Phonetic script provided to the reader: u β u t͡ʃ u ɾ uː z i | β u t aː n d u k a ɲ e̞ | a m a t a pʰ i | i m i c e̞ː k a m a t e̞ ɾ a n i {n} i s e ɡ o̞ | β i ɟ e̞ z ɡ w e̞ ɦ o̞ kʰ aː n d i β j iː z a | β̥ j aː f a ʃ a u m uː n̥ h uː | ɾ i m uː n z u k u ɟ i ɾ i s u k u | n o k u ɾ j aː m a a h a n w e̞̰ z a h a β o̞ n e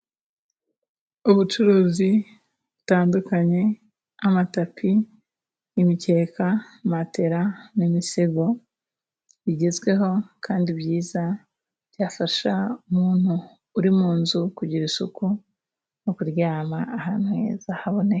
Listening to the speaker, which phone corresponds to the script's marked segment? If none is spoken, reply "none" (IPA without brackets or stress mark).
m